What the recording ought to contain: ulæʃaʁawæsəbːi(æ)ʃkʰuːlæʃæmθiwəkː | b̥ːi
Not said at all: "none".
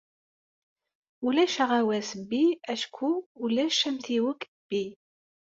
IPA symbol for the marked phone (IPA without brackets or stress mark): æ